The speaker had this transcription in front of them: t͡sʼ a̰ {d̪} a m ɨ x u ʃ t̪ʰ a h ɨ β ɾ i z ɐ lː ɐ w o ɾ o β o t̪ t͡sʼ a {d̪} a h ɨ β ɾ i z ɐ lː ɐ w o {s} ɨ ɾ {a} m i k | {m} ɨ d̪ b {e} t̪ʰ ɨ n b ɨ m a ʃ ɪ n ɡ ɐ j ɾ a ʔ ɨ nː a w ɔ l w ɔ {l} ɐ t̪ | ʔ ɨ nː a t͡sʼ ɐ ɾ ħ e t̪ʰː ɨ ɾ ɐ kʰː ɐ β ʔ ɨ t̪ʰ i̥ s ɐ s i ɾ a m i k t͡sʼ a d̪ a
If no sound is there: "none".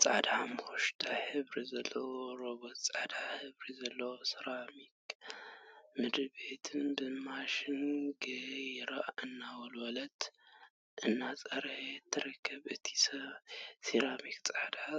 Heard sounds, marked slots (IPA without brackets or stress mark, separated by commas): d̪, d̪, s, a, m, e, l